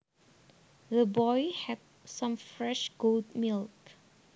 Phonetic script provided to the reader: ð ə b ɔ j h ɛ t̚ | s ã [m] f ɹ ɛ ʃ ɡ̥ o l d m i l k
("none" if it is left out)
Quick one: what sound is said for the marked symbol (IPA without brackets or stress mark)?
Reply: m